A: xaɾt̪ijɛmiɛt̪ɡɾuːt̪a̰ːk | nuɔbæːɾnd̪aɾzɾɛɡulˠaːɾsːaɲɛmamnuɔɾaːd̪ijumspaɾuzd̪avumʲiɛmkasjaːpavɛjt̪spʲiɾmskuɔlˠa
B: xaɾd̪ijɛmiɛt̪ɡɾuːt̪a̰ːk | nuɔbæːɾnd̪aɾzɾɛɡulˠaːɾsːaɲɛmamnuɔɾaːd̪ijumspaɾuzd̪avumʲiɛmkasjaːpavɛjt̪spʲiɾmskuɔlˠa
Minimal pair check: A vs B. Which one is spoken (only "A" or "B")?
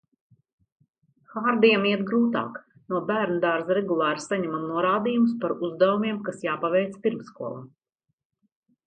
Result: B